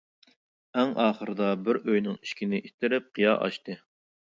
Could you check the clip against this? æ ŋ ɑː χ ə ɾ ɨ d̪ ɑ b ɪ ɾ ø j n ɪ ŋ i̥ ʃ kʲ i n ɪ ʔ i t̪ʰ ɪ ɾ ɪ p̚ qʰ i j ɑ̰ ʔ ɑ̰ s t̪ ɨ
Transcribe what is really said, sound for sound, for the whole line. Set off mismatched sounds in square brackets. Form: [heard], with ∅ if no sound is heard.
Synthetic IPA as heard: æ ŋ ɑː χ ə ɾ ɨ d̪ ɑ b ɪ ɾ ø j n ɪ ŋ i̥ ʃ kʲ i n ɪ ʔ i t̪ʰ ɪ ɾ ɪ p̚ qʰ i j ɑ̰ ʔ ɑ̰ [ʃ] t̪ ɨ